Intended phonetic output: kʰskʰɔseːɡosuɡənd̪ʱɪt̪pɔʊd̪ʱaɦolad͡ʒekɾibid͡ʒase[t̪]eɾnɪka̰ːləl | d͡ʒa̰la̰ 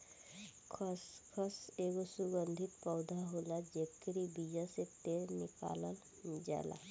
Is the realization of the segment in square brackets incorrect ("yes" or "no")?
no